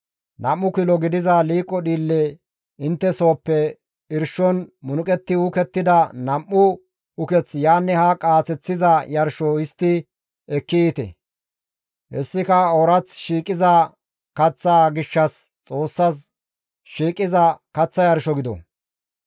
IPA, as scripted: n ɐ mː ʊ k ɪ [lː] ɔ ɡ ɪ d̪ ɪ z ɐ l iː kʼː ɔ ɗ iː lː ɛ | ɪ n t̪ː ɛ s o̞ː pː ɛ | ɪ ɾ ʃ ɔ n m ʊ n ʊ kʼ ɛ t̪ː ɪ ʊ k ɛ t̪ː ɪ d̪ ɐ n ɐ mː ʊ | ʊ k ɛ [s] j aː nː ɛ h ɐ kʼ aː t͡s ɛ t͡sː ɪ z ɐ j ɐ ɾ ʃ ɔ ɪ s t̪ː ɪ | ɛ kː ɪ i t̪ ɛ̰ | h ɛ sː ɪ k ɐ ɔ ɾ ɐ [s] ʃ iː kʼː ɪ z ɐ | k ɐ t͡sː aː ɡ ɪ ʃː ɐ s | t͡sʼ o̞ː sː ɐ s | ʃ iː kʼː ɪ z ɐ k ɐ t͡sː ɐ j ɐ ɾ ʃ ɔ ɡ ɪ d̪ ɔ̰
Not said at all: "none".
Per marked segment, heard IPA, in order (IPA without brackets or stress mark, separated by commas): l, t͡s, t͡s